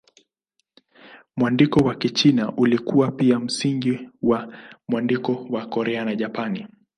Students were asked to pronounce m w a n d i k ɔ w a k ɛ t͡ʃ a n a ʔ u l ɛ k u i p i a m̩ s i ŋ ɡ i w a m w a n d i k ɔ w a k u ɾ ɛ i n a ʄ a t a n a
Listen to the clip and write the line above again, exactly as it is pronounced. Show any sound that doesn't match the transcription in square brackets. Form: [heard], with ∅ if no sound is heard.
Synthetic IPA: m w a n d i k ɔ w a k [i] t͡ʃ [i] n a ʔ u l [i] k u [a] p i a m̩ s i ŋ ɡ i w a m w a n d i k ɔ w a k [ɔ] ɾ ɛ [a] n a ʄ a [p] a n [i]